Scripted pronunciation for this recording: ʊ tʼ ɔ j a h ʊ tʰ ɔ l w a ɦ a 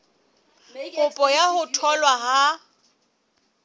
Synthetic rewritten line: ʊ pʼ ɔ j a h ʊ tʰ ɔ l w a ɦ a